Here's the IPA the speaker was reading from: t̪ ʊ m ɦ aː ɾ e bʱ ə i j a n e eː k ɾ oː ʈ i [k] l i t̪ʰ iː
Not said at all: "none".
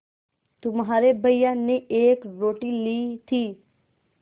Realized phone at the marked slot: none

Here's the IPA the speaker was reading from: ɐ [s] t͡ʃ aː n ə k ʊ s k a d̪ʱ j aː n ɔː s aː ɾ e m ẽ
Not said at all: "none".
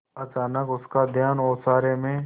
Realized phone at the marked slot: none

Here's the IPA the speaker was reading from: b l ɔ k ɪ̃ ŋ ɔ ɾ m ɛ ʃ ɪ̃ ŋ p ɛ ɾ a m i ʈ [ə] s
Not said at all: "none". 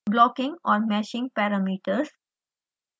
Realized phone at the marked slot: ə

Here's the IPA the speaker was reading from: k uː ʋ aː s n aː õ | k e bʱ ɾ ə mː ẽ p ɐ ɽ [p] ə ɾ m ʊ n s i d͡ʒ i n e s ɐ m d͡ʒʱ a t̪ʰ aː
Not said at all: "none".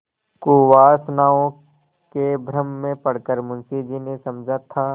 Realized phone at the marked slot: k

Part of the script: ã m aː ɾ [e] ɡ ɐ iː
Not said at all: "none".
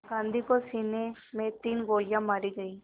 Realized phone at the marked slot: i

